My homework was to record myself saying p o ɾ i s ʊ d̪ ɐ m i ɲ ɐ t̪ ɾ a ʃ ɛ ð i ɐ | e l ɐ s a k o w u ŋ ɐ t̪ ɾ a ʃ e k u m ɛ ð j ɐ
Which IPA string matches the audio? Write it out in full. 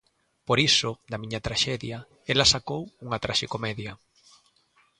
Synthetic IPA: p o ɾ i s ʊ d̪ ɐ m i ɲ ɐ t̪ ɾ a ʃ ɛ ð j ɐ | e l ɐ s a k o w u ŋ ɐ t̪ ɾ a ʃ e k o m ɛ ð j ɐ